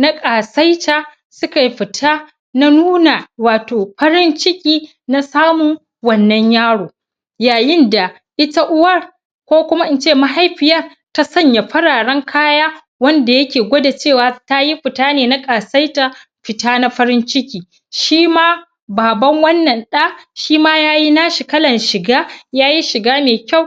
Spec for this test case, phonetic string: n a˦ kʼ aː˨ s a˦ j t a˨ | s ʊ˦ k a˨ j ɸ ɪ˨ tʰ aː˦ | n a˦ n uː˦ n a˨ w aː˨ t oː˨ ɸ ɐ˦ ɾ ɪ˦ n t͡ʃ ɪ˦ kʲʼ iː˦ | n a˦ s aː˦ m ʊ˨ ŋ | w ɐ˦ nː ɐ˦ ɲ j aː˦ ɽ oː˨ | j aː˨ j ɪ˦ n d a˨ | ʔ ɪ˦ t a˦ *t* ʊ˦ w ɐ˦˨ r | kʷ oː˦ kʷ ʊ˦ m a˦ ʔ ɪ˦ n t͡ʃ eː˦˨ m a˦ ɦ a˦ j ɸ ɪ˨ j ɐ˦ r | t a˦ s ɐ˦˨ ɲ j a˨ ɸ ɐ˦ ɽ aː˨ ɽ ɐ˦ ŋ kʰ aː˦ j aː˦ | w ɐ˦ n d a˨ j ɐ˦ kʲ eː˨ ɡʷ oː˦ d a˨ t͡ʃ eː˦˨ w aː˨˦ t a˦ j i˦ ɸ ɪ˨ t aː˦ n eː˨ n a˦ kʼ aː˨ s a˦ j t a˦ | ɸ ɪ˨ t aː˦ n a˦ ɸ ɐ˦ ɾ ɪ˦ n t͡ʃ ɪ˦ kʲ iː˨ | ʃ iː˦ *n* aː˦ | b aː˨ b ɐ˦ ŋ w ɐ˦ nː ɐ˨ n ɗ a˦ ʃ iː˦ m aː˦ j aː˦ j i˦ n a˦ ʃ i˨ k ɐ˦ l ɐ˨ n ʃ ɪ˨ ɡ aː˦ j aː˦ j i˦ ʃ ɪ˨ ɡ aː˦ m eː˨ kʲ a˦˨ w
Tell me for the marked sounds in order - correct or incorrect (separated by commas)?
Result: incorrect, incorrect